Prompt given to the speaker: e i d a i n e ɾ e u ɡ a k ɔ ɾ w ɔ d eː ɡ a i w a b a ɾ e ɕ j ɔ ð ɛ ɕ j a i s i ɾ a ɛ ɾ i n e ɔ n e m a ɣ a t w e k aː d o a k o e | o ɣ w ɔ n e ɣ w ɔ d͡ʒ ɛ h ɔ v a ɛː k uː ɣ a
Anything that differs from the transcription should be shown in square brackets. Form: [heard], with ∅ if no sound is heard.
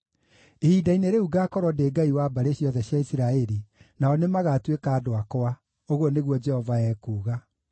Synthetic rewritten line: e i d a i n e ɾ e u ɡ a k ɔ ɾ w ɔ d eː ɡ a i w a b a ɾ e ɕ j ɔ ð ɛ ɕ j a i s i ɾ a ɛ ɾ i n [a] ɔ n e m a ɣ a t w e k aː d o a k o [a] | o ɣ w ɔ n e ɣ w ɔ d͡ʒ ɛ h ɔ v a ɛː k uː ɣ a